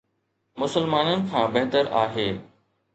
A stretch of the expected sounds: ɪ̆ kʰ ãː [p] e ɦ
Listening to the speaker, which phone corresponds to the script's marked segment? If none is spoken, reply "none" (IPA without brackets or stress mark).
b